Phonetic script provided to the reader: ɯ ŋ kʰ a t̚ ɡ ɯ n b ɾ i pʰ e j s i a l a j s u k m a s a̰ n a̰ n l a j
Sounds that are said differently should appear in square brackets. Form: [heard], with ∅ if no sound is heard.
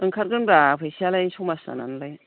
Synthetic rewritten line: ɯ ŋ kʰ a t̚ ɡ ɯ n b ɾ [a] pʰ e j s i a l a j s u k m a s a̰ n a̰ n l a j